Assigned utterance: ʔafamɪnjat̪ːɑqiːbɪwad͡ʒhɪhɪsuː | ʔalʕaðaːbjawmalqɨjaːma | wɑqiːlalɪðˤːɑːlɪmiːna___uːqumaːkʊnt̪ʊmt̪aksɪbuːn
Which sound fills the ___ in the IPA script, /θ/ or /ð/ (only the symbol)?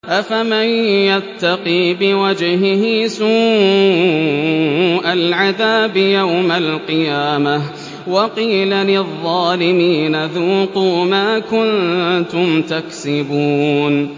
ð